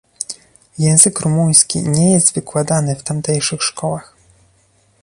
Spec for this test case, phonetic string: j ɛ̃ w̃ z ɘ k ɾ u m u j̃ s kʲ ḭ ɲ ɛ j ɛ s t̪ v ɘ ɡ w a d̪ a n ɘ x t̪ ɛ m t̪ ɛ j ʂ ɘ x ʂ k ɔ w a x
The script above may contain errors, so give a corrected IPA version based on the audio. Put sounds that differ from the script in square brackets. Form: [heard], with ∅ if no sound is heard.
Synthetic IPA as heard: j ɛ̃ w̃ z ɘ k ɾ u m u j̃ s kʲ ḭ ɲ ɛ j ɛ s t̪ v ɘ [k] w a d̪ a n ɘ [f] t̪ [a] m t̪ ɛ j ʂ ɘ x ʂ k ɔ w a x